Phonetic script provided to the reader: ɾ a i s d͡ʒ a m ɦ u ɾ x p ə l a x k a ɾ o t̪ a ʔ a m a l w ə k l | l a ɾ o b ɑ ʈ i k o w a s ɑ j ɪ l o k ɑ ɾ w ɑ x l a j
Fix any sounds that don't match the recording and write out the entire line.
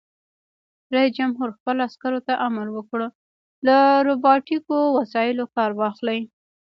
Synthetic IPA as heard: ɾ a i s d͡ʒ a m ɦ u ɾ x p ə l a s k a ɾ o t̪ a ʔ a m a l w ə k ɽ | l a ɾ o b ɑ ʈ i k o w a s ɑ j ɪ l o k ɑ ɾ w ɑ x l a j